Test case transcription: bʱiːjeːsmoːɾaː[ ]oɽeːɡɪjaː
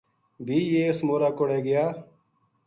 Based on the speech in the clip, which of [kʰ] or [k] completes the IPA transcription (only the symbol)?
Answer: k